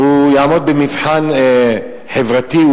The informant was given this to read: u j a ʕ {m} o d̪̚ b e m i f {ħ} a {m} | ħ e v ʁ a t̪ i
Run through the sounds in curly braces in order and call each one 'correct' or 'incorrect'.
correct, correct, incorrect: n

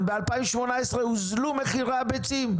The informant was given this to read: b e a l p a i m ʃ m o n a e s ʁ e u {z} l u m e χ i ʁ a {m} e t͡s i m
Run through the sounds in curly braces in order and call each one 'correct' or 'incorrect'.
correct, incorrect: b

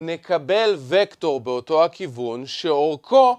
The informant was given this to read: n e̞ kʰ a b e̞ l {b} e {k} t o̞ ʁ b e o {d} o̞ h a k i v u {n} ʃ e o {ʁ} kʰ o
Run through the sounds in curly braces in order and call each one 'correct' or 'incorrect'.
incorrect: v, correct, incorrect: t, correct, correct

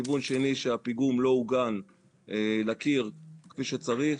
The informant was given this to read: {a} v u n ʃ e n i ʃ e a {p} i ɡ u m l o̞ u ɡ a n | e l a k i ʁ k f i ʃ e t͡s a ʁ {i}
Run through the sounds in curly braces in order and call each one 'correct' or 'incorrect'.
incorrect: i, correct, correct

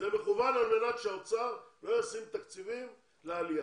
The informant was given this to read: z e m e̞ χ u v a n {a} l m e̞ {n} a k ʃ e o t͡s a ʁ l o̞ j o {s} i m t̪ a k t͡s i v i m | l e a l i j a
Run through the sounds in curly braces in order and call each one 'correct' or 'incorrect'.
correct, correct, correct

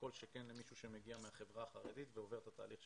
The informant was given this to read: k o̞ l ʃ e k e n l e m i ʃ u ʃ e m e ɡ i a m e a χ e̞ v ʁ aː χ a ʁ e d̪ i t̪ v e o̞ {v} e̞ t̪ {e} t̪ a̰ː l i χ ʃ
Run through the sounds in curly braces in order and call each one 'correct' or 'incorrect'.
correct, incorrect: a

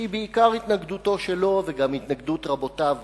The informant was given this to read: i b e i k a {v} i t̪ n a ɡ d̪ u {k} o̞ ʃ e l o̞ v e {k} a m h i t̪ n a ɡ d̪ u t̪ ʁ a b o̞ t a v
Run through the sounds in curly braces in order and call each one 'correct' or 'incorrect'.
incorrect: ʁ, incorrect: t, incorrect: ɡ

